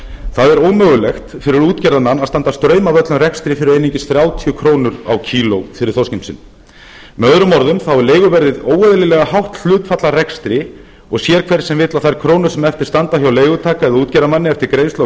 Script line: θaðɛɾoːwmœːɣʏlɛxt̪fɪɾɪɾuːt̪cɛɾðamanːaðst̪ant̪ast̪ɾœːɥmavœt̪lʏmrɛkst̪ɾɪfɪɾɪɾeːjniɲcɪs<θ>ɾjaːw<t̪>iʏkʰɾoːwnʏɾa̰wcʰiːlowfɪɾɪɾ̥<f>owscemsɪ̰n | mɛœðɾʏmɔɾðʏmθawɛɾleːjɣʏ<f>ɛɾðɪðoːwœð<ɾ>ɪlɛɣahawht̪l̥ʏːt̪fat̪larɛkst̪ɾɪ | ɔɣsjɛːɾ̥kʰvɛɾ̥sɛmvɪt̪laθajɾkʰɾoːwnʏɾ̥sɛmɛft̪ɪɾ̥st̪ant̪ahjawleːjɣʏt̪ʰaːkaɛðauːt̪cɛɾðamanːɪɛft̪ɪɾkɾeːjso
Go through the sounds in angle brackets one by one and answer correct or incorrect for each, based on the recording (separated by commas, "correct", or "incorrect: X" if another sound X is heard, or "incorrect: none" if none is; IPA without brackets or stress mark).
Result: correct, incorrect: t̪ʰ, incorrect: θ, incorrect: v, incorrect: l